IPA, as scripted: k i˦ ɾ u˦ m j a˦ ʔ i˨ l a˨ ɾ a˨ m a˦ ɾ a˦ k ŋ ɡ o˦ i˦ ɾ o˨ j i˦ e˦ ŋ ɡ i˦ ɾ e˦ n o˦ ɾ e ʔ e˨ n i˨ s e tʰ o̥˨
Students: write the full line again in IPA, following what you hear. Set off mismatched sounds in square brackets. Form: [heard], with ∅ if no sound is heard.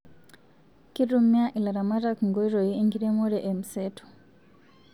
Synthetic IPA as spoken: k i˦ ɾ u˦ m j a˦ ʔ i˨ l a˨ ɾ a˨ m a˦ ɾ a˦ k ŋ ɡ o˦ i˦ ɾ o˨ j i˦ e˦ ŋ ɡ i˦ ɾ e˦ [m] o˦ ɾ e ʔ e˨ [m] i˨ s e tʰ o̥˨